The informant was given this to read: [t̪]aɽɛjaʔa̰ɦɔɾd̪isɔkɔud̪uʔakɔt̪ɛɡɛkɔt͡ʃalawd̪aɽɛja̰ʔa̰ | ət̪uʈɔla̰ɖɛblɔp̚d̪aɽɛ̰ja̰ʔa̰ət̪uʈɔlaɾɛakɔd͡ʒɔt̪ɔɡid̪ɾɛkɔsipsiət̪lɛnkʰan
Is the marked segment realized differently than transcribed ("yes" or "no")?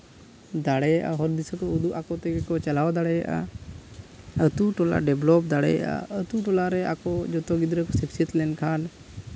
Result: yes